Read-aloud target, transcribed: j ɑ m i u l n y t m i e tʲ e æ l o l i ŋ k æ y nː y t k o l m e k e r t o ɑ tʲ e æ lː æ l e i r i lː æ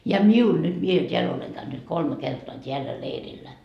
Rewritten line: j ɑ m i u l n y t m i e tʲ e æ l o l e ŋ k æ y n y t k o l m e k e r t o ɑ tʲ e æ lː æ l e i r i lː æ